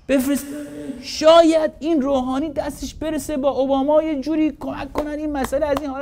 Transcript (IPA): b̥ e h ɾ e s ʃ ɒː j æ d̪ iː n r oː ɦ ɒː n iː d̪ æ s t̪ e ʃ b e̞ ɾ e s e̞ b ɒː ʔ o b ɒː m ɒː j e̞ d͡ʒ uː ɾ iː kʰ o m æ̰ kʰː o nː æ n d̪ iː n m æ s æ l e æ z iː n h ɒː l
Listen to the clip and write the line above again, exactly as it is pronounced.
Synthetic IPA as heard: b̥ e f ɾ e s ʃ ɒː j æ d̪ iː n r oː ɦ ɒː n iː d̪ æ s t̪ e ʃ b e̞ ɾ e s e̞ b ɒː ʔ o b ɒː m ɒː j e̞ d͡ʒ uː ɾ iː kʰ o m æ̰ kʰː o n æ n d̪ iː n m æ s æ l e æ z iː n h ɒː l